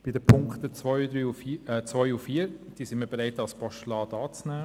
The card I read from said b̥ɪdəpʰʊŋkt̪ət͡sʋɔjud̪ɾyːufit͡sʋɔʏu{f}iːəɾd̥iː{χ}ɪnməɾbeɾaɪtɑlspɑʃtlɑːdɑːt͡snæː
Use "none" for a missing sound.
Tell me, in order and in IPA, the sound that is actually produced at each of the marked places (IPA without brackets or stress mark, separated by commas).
f, s